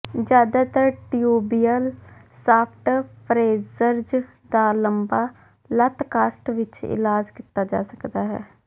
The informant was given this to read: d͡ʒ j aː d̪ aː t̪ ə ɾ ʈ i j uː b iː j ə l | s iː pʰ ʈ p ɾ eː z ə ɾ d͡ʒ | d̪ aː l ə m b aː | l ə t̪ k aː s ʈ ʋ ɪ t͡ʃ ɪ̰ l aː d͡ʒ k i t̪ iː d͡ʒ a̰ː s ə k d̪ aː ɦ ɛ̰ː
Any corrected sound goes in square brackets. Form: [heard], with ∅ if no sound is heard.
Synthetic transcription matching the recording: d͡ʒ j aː d̪ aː t̪ ə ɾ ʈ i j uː b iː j ə l | s [aː] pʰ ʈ p ɾ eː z ə ɾ d͡ʒ | d̪ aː l ə m b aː | l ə t̪ k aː s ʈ ʋ ɪ t͡ʃ ɪ̰ l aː d͡ʒ k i t̪ [aː] d͡ʒ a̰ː s ə k d̪ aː ɦ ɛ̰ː